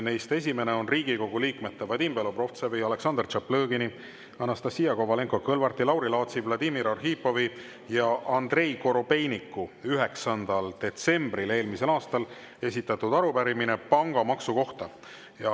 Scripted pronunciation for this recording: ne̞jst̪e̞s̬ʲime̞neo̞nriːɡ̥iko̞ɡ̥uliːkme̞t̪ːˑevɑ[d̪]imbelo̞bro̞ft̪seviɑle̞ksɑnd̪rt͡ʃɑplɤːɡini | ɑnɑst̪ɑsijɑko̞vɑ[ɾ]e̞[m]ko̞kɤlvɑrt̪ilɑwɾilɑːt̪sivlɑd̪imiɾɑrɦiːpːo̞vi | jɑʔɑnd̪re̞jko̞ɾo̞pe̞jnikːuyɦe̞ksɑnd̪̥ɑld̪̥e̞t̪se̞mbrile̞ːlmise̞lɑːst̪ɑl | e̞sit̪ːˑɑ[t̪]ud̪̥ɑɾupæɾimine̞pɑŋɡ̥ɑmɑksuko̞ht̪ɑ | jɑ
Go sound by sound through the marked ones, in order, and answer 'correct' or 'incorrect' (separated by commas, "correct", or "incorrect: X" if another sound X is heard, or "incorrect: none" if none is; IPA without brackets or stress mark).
correct, incorrect: l, incorrect: ŋ, correct